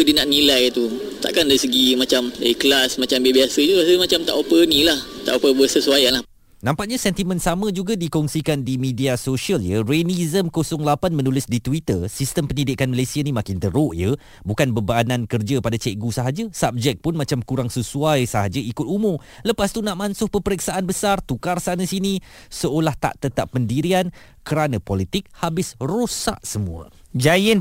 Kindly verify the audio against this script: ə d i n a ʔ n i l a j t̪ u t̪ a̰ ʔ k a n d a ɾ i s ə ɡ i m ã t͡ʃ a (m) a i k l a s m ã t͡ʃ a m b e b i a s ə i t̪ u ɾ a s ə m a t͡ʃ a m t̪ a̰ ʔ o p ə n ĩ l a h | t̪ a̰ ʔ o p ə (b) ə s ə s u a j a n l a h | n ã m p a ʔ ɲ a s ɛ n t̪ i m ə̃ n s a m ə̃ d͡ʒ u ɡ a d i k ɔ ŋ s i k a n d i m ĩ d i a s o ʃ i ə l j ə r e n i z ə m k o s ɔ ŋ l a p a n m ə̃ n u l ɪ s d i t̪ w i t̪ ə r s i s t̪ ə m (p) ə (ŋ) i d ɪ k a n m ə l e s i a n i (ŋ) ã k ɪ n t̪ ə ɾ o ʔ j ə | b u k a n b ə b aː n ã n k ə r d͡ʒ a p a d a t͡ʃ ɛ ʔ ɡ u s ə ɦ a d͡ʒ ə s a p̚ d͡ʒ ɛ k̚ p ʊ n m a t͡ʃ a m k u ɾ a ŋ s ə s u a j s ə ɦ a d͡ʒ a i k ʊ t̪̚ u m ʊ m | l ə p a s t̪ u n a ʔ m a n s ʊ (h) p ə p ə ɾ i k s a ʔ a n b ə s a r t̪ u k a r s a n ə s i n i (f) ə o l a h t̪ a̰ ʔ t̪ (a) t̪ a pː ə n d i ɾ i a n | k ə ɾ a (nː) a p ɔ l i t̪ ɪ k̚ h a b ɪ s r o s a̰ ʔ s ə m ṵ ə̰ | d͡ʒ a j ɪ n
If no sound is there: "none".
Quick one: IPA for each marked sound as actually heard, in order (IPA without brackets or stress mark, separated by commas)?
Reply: m, b, p, n, m, h, s, ə, n